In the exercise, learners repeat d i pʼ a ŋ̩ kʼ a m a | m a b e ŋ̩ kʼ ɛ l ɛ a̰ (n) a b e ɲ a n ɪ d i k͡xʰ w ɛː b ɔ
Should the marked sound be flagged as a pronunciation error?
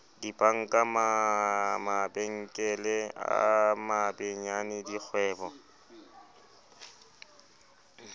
yes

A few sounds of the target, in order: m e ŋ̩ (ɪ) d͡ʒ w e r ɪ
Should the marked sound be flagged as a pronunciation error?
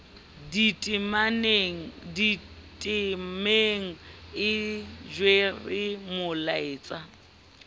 no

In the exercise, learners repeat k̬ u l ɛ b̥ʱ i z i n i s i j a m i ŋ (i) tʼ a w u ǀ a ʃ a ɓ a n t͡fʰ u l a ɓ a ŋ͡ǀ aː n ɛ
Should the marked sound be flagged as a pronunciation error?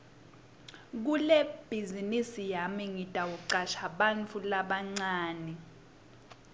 no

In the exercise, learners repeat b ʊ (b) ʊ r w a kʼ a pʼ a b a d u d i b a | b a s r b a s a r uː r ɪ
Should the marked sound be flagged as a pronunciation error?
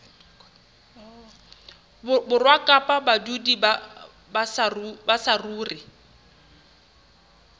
no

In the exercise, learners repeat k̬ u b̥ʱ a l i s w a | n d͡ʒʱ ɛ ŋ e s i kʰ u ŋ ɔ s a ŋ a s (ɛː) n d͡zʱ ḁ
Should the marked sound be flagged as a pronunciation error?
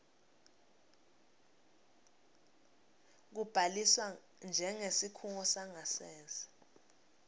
no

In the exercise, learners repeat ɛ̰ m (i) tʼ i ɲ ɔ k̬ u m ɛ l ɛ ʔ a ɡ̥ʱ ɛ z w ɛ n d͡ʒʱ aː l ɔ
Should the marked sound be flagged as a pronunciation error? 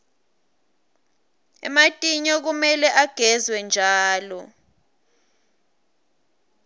yes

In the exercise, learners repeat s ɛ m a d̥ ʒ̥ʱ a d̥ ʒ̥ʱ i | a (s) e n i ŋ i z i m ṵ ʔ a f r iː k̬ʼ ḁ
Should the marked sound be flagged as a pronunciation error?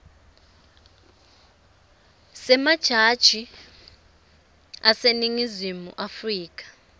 no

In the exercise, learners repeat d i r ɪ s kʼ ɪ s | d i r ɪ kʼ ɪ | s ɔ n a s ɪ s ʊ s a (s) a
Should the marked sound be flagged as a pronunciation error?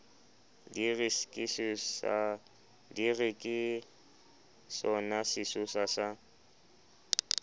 no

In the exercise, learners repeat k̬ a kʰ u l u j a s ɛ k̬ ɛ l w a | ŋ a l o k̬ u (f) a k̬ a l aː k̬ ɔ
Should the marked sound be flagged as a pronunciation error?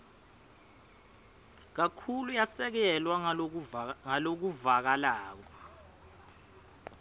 yes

